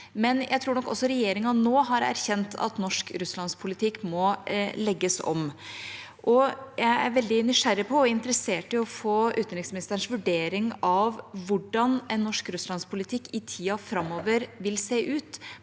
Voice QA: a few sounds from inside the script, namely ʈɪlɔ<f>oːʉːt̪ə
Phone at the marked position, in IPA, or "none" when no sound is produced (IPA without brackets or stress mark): f